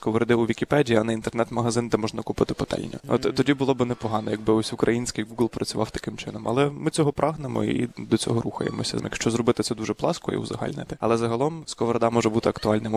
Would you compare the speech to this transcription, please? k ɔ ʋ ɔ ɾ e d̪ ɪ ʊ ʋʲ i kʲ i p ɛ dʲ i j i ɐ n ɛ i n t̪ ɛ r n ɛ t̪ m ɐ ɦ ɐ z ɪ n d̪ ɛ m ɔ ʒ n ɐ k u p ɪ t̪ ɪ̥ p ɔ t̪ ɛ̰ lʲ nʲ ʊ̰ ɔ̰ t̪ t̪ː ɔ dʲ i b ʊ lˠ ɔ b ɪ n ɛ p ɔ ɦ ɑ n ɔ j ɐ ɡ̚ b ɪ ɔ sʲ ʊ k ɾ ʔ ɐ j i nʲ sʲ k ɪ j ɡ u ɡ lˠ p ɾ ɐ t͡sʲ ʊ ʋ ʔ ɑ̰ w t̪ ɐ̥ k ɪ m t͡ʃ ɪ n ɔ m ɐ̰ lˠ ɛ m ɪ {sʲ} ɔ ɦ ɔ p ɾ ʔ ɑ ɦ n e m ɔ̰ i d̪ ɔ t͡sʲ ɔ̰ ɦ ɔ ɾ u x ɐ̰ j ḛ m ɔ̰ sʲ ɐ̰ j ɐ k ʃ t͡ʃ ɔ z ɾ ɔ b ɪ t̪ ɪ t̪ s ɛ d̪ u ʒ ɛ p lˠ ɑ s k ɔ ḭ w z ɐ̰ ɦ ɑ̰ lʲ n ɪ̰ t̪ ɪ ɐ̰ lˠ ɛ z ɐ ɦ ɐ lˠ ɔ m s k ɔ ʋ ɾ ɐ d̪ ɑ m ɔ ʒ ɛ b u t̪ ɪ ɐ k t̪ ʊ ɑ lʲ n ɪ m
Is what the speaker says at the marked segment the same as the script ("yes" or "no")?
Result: no